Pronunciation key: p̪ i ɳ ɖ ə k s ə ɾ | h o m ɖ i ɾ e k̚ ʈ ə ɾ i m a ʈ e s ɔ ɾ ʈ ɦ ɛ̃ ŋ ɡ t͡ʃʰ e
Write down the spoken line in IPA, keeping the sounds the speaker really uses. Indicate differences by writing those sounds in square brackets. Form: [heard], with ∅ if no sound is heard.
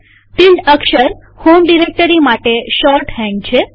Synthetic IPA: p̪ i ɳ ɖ ə k [ʃ] ə ɾ | h o m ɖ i ɾ e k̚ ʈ ə ɾ i m a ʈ e [ʃ] ɔ ɾ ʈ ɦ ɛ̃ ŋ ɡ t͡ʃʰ e